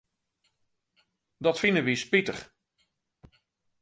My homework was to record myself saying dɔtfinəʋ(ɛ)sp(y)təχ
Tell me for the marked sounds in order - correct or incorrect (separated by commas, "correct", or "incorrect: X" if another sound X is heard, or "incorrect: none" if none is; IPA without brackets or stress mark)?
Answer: incorrect: i, incorrect: i